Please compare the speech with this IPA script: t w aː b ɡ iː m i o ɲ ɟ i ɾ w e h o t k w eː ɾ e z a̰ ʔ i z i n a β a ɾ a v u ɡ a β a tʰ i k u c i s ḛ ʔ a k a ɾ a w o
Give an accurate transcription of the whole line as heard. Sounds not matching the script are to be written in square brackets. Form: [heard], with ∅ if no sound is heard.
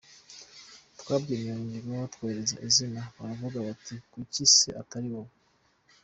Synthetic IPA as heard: t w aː b ɡ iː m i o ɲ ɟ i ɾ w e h o t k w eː ɾ e z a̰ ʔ i z i n a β a ɾ a v u ɡ a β a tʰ i k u c i s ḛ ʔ a [t] a ɾ [i] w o